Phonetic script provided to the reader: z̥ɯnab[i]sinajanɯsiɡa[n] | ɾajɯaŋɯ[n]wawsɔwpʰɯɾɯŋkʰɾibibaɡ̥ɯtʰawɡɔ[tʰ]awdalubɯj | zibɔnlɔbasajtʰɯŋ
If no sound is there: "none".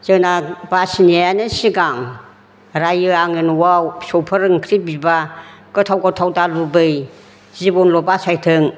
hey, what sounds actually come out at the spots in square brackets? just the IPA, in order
a, ŋ, n, tʰ

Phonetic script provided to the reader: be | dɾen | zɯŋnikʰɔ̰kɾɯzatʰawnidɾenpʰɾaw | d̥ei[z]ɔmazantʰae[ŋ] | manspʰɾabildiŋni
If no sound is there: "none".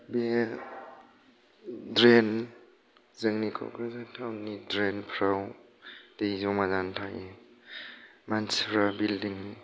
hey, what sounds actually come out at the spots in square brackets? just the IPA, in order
z, none

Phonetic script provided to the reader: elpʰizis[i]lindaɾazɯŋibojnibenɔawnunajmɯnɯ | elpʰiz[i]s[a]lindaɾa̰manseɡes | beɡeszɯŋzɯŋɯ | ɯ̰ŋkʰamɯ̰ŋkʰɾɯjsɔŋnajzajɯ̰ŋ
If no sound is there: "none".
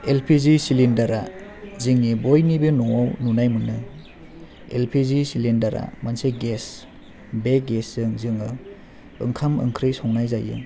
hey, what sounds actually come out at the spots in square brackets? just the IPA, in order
i, i, i

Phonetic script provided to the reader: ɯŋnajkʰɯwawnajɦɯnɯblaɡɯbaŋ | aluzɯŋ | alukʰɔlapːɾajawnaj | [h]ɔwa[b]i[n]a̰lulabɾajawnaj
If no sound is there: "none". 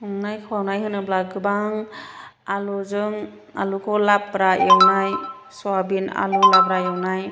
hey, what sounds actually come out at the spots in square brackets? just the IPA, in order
s, b, n

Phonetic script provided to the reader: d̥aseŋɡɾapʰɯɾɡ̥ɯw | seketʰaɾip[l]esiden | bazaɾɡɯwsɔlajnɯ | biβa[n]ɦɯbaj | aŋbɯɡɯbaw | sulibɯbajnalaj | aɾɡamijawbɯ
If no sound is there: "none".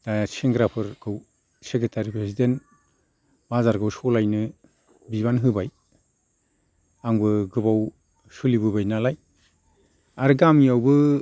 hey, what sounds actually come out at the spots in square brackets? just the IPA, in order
ɾ, n

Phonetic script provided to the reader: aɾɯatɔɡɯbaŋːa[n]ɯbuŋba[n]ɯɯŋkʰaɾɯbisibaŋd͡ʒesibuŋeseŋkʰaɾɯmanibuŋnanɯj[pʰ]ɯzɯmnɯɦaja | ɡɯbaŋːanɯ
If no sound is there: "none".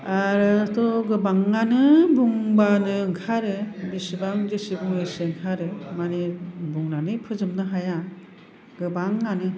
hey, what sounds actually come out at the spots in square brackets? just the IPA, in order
n, n, pʰ

